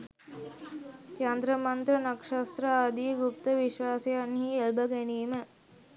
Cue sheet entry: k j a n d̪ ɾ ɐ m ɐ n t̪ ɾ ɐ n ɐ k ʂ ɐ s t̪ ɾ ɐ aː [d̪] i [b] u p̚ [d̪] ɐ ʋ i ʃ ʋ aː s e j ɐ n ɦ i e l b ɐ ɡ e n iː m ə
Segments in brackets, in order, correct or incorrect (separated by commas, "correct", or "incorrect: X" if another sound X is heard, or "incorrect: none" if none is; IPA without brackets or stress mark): correct, incorrect: ɡ, incorrect: t̪